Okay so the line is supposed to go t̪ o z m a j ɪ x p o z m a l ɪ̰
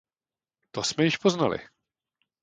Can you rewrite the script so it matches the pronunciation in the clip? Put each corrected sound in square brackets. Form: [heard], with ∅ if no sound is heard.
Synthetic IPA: t̪ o [s] m [ɛ] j ɪ [ʃ] p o z [n] a l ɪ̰

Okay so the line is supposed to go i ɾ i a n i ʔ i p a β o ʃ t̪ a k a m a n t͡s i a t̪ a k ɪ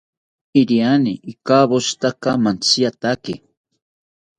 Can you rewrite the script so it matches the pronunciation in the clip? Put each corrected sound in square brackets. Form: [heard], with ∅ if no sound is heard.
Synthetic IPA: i ɾ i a n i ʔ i [k] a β o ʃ t̪ a k a m a n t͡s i a t̪ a k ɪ

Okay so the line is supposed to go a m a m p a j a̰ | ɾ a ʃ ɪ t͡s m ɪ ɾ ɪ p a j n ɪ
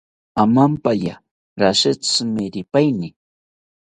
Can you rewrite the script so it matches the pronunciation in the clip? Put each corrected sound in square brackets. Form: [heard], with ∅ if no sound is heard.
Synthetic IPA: a m a m p a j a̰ | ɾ a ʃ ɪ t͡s m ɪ ɾ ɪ p a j n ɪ

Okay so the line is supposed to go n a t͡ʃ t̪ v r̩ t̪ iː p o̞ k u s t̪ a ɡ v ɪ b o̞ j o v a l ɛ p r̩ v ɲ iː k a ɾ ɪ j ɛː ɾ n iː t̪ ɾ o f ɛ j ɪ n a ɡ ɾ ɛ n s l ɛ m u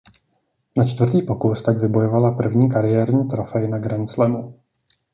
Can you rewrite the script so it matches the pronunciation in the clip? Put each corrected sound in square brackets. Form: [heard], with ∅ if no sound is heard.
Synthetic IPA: n a t͡ʃ t̪ v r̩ t̪ iː p o̞ k u s t̪ a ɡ v ɪ b o̞ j o v a l [a] p r̩ v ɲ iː k a ɾ ɪ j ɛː ɾ [ɲ] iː t̪ ɾ o f ɛ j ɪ n a ɡ ɾ ɛ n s l ɛ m u

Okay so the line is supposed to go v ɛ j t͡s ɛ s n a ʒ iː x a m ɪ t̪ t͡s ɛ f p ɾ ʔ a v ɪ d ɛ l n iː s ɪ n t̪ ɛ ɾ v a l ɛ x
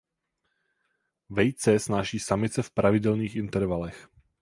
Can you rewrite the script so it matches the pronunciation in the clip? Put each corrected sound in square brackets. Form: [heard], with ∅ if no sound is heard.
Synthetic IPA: v ɛ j t͡s ɛ s n a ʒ iː [s] a m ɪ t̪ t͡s ɛ f p ɾ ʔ a v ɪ d ɛ l n iː [x] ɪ n t̪ ɛ ɾ v a l ɛ x

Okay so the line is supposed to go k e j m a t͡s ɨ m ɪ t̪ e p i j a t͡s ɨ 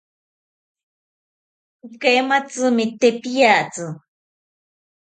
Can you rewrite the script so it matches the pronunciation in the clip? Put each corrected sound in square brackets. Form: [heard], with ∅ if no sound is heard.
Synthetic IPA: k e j m a t͡s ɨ m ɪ t̪ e p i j a t͡s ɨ

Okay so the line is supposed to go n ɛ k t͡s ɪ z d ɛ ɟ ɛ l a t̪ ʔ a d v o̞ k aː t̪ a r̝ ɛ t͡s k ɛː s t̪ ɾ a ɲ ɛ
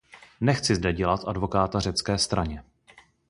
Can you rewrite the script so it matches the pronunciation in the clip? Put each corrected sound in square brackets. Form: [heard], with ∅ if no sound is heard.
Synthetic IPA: n ɛ [x] t͡s ɪ z d ɛ ɟ ɛ l a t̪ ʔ a d v o̞ k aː t̪ a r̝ ɛ t͡s k ɛː s t̪ ɾ a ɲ ɛ

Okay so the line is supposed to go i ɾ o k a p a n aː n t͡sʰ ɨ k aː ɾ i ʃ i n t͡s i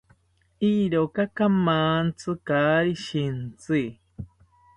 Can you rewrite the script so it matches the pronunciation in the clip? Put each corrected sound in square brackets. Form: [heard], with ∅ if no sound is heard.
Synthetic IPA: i ɾ o k a [k] a [m] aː n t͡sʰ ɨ k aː ɾ i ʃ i n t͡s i

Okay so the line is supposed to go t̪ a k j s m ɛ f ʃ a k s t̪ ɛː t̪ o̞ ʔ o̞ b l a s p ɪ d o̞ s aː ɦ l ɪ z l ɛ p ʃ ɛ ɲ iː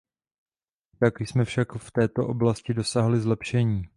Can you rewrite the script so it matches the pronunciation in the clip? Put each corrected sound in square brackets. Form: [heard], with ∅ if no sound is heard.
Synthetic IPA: t̪ a k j s m ɛ f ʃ a k [f] t̪ ɛː t̪ o̞ ʔ o̞ b l a s [c] ɪ d o̞ s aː ɦ l ɪ z l ɛ p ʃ ɛ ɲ iː

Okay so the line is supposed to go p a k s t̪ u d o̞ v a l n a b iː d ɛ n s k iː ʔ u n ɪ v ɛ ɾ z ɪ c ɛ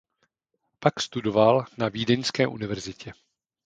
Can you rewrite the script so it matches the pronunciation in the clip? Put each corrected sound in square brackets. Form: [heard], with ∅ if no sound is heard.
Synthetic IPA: p a k s t̪ u d o̞ v a l n a [v] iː d ɛ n s k [ɛː] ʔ u n ɪ v ɛ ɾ z ɪ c ɛ

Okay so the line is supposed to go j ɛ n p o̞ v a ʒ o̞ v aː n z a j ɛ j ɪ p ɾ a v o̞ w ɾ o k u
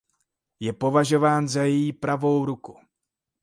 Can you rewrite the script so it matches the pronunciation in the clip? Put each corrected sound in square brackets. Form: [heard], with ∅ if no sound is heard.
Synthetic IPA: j ɛ [∅] p o̞ v a ʒ o̞ v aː n z a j ɛ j [i] p ɾ a v o̞ w ɾ [u] k u

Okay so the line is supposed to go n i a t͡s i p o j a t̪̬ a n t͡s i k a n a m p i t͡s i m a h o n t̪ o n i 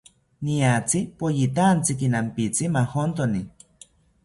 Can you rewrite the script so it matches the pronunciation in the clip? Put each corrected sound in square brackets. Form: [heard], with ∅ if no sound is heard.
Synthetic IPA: n i a t͡s i p o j [i] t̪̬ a n t͡s i k [i] n a m p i t͡s i m a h o n t̪ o n i

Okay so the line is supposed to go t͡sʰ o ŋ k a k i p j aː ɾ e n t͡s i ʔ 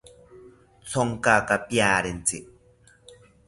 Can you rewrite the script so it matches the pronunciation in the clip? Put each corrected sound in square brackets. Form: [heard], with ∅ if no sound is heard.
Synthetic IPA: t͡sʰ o ŋ k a k [a] p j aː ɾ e n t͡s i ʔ

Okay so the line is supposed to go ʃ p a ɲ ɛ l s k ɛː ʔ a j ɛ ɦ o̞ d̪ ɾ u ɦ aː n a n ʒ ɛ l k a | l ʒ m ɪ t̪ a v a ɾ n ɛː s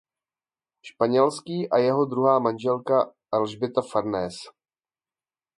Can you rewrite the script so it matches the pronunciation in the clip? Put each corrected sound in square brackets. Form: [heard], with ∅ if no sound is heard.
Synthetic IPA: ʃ p a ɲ ɛ l s k [iː] ʔ a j ɛ ɦ o̞ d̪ ɾ u ɦ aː [m] a n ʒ ɛ l k a | l ʒ [b] ɪ t̪ a [f] a ɾ n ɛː s

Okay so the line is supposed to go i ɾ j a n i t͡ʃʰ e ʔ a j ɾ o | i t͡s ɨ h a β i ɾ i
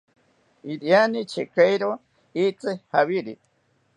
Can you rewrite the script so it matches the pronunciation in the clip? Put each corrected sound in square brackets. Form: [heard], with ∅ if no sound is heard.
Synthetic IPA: i ɾ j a n i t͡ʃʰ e [k] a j ɾ o | i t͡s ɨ h a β i ɾ i

